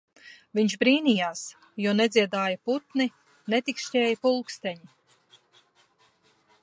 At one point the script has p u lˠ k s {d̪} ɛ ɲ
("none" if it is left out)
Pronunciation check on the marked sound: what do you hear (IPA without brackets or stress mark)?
t̪